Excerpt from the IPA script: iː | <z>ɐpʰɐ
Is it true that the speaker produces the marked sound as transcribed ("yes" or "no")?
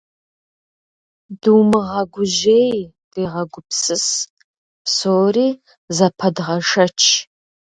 yes